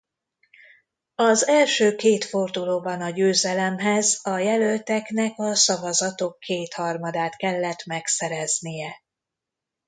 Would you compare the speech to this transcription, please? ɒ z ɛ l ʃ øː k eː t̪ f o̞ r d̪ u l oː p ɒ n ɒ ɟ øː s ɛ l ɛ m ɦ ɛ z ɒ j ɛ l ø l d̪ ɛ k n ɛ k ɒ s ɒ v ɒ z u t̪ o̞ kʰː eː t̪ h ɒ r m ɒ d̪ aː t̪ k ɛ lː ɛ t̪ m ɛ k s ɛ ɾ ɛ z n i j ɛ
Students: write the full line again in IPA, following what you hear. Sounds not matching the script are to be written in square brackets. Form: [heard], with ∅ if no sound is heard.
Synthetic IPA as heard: ɒ z ɛ l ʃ øː k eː t̪ f o̞ r d̪ u l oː [b] ɒ n ɒ ɟ øː [z] ɛ l ɛ m ɦ ɛ z ɒ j ɛ l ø l [t̪] ɛ k n ɛ k ɒ s ɒ v ɒ z [ɒ] t̪ o̞ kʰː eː t̪ h ɒ r m ɒ d̪ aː t̪ k ɛ lː ɛ t̪ m ɛ k s ɛ ɾ ɛ z n i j ɛ